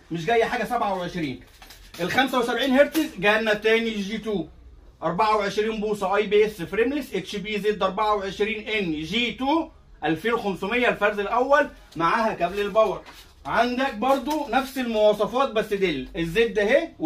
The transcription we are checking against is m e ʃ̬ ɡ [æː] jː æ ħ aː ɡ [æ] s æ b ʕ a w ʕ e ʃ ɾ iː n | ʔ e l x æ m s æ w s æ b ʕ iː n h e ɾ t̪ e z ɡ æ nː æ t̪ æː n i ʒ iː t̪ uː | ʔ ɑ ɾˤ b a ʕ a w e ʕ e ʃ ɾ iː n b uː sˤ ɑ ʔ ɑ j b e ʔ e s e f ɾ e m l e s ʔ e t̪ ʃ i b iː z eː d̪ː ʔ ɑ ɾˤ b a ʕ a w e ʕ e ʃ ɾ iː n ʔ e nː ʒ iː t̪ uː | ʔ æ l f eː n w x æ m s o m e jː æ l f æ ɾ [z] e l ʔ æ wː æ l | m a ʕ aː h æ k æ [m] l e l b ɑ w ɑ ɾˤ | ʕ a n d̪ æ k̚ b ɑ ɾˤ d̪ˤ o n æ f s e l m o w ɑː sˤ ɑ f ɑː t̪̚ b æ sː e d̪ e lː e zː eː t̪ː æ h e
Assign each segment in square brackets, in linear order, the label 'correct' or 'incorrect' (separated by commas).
incorrect, correct, correct, incorrect